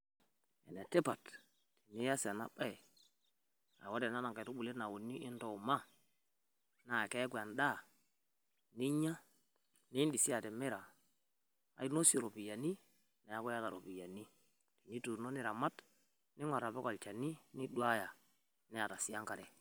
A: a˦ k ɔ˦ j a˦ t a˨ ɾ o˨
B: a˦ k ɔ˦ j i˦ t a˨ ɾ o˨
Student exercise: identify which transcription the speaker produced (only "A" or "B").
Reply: A